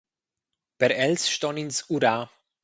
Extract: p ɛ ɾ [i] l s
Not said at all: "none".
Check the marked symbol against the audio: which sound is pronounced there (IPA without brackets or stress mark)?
ɛ